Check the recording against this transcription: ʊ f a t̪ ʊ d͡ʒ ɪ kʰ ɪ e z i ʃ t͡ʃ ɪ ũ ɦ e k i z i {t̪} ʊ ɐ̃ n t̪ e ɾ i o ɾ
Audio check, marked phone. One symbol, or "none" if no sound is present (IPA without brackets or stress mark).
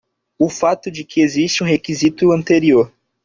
t̪